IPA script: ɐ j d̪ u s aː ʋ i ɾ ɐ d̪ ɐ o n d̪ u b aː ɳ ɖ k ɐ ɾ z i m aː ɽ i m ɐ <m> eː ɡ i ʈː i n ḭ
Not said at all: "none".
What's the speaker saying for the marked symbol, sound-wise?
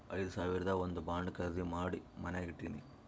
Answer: n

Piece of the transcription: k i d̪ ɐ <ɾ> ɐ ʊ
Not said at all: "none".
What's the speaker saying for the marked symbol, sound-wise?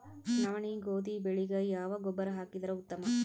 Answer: ɾ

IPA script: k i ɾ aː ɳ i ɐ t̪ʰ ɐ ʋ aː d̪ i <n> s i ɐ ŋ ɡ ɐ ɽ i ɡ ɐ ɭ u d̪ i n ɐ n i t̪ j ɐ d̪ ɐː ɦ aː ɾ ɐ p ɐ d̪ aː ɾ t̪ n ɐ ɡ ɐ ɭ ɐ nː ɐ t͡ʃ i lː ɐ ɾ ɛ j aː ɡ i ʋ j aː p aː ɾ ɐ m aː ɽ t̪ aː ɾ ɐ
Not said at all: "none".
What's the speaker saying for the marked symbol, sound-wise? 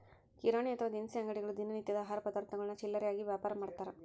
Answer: n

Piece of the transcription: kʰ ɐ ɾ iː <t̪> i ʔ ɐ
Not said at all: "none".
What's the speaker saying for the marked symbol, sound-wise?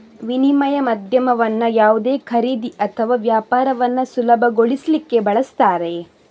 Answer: d̪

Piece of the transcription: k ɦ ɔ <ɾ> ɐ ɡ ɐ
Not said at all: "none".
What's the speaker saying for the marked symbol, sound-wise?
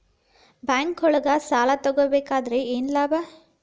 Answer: ɭ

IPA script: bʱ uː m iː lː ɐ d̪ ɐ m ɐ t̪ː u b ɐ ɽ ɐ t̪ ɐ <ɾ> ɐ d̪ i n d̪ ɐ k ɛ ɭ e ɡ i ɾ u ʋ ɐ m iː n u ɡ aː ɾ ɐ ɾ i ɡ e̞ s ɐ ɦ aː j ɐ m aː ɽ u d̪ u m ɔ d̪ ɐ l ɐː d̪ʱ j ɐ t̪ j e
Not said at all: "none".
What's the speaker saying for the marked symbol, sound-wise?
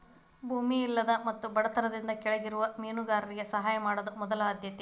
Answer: ɾ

